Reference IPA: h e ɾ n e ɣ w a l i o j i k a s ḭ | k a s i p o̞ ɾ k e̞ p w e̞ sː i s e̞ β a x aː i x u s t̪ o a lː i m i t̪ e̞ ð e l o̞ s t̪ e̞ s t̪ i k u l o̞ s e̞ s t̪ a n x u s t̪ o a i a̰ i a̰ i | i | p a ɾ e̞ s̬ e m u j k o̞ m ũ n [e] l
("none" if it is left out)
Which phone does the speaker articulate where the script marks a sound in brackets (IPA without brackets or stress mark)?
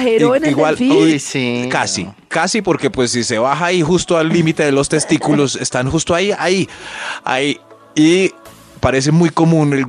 e